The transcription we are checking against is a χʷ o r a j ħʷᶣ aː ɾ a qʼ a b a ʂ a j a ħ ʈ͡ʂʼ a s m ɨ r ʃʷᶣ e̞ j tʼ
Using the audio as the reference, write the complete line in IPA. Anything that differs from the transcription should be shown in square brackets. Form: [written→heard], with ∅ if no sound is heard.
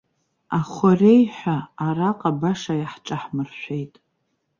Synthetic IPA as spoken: a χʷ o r [a→e] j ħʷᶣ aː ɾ a qʼ a b a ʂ a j a ħ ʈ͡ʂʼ a [s→ħ] m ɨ r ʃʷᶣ e̞ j tʼ